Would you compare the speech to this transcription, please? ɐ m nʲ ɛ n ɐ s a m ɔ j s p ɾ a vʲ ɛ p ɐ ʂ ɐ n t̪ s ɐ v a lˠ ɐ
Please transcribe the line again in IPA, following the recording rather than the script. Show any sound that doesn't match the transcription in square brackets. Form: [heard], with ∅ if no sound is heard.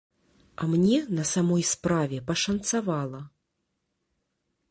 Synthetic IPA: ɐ m nʲ ɛ n ɐ s a m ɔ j s p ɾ a vʲ ɛ p ɐ ʂ ɐ n t̪ s [a] v a lˠ ɐ